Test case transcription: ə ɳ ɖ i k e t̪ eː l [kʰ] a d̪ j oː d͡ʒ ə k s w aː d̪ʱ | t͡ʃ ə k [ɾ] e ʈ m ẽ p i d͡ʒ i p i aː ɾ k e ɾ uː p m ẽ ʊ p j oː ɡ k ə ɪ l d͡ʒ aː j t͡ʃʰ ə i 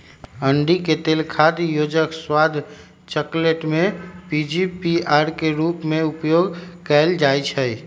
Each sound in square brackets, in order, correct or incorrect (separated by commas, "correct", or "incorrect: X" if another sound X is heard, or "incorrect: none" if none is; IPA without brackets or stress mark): correct, incorrect: l